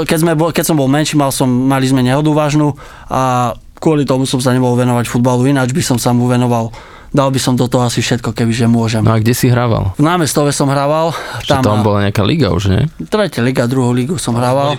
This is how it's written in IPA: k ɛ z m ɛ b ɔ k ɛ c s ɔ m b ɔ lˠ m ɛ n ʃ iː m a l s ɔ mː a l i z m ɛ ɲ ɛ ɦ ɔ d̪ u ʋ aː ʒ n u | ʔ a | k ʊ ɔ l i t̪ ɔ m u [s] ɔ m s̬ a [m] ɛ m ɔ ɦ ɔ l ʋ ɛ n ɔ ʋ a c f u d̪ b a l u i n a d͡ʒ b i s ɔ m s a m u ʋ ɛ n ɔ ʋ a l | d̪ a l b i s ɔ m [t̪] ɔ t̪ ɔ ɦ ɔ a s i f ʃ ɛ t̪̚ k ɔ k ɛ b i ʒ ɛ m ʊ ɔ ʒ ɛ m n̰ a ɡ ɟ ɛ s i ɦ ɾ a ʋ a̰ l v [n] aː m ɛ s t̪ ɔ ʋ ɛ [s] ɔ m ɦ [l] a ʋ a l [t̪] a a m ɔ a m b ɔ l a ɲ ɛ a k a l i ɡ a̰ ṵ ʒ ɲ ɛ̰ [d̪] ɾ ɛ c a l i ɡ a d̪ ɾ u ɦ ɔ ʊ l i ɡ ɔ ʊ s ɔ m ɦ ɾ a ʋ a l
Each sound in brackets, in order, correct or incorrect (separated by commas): correct, incorrect, incorrect, correct, correct, incorrect, correct, incorrect